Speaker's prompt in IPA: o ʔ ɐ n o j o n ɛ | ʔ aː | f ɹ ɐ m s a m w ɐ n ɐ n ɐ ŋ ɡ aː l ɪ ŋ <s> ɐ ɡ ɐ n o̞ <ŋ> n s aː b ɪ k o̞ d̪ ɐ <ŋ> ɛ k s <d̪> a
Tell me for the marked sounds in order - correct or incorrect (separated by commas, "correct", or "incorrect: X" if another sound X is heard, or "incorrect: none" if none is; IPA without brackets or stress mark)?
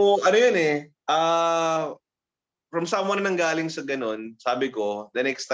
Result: correct, incorrect: none, incorrect: n, incorrect: t̪